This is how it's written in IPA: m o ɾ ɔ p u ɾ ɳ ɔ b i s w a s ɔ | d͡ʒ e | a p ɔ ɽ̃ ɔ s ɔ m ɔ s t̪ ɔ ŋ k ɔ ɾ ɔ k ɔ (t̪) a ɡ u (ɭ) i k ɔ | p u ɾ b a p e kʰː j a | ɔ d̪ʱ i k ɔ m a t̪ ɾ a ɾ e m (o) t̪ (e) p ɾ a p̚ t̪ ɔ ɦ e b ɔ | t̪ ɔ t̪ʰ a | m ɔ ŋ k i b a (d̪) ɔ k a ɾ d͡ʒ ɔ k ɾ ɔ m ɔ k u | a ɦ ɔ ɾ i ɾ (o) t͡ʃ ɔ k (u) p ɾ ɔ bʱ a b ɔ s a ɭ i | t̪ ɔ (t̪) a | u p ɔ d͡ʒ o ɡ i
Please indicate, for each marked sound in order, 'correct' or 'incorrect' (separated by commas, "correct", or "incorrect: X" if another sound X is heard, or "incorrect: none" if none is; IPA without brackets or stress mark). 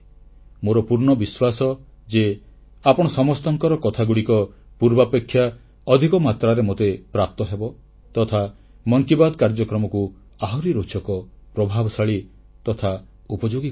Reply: incorrect: t̪ʰ, incorrect: ɽ, correct, correct, correct, correct, incorrect: ɔ, incorrect: t̪ʰ